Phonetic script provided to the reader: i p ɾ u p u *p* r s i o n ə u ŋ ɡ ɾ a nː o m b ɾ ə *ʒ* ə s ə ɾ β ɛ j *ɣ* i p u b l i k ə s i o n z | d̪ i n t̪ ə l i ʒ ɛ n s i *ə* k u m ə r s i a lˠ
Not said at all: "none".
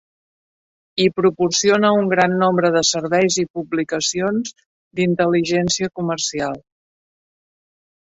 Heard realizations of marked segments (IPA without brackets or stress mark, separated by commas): none, ð, z, ə